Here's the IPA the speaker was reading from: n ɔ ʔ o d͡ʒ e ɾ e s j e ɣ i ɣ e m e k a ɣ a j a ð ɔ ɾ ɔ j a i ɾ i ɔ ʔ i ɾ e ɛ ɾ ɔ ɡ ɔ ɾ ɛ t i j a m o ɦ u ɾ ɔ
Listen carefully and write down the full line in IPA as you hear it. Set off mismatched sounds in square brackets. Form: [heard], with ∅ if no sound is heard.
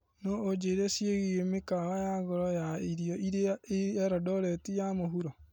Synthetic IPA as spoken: n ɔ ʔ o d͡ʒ e ɾ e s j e ɣ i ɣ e m e k a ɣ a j a [ɣ] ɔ ɾ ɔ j a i ɾ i ɔ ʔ i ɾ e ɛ ɾ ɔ [d] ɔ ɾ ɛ t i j a m o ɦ u ɾ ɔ